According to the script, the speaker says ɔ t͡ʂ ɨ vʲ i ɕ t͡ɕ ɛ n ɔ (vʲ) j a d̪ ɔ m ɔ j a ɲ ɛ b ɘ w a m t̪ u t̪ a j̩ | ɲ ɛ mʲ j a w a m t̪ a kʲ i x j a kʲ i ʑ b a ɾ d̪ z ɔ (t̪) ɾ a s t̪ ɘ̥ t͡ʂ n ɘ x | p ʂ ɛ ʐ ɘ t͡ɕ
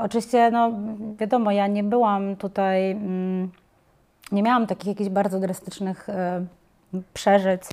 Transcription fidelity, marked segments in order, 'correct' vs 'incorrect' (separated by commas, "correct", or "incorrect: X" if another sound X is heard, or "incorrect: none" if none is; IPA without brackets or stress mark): correct, incorrect: d̪